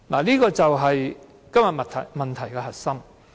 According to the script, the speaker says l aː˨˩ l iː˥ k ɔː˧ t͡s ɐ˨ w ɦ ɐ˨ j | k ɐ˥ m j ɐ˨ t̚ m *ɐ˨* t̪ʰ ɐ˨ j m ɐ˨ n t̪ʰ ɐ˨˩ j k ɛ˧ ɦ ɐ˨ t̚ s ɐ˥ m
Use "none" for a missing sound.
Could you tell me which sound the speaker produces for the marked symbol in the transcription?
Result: ɐ˨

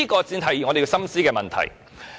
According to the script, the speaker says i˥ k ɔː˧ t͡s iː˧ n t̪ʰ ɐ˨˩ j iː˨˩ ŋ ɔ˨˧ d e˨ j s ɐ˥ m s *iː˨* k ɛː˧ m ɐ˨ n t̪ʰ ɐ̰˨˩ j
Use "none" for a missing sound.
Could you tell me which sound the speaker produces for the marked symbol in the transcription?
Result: iː˥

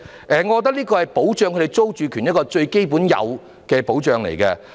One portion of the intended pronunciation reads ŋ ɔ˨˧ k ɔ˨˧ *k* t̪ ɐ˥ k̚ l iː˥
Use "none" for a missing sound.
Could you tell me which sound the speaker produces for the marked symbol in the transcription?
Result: none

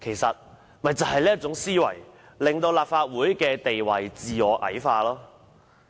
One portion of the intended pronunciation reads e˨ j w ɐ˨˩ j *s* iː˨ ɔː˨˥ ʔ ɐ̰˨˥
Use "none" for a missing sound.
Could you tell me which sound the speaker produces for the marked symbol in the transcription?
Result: t͡s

